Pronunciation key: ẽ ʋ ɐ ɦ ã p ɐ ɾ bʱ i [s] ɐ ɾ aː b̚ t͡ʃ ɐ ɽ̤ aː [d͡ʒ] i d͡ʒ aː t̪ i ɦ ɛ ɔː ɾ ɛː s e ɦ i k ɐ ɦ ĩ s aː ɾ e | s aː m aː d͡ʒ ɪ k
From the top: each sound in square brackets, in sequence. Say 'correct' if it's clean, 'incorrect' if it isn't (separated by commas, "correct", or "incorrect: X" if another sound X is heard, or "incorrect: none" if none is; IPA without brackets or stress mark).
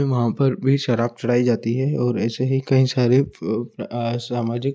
incorrect: ʃ, incorrect: none